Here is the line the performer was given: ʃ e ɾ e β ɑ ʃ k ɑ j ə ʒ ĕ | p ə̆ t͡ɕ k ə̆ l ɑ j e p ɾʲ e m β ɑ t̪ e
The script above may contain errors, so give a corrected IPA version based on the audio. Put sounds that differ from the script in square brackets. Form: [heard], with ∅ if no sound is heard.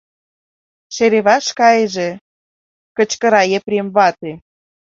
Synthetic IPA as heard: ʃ e ɾ e β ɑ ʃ k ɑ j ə ʒ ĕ | [k] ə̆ t͡ɕ k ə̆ [ɾ] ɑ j e p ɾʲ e m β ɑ t̪ e